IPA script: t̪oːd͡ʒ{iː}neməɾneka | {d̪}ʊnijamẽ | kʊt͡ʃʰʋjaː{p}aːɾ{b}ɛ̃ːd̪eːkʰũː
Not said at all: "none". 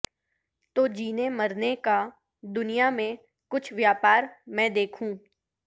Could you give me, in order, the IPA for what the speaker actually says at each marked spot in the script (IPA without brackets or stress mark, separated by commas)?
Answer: iː, d̪, p, m